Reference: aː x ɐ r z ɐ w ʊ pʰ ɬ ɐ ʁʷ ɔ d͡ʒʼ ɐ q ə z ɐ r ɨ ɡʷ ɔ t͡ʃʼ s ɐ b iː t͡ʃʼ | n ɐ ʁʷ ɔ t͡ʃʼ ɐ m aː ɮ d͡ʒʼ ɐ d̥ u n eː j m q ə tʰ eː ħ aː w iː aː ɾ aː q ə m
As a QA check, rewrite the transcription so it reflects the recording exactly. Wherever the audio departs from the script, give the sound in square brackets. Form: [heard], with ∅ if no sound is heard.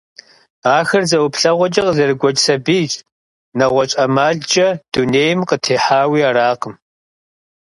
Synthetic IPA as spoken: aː x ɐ r z ɐ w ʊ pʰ ɬ ɐ ʁʷ ɔ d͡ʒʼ ɐ q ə z ɐ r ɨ ɡʷ ɔ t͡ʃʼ s ɐ b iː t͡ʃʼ | n ɐ ʁʷ ɔ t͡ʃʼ ɐ m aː ɮ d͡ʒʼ ɐ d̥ u n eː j m q ə tʰ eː ħ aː w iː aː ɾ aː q ə m